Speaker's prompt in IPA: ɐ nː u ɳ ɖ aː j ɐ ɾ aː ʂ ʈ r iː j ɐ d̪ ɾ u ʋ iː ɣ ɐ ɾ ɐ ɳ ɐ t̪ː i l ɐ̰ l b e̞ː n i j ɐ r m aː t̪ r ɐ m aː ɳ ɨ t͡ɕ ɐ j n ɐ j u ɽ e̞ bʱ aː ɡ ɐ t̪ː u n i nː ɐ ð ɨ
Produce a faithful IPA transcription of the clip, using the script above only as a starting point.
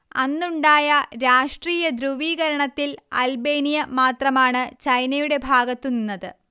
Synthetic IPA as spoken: ɐ nː u ɳ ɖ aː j ɐ ɾ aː ʂ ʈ r iː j ɐ d̪ ɾ u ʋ iː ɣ ɐ ɾ ɐ ɳ ɐ t̪ː i l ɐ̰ l b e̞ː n i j ɐ m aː t̪ r ɐ m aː ɳ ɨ t͡ɕ ɐ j n ɐ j u ɽ e̞ bʱ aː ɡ ɐ t̪ː u n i nː ɐ ð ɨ